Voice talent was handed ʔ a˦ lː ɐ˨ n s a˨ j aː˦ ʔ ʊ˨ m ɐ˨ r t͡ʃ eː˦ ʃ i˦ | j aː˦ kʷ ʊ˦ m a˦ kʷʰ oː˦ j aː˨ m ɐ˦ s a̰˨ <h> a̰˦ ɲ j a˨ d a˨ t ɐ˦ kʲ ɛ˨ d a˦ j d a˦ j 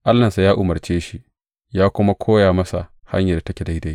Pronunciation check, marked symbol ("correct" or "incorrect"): correct